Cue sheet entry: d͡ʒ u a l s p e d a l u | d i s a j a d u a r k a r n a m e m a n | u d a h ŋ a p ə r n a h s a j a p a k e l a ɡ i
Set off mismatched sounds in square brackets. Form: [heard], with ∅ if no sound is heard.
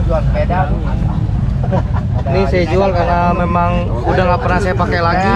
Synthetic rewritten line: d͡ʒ u a l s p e d a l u | [n] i s a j a [d͡ʒ] u a [l] k a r n a m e m a [ŋ] | u d a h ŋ a p ə r n a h s a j a p a k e l a ɡ i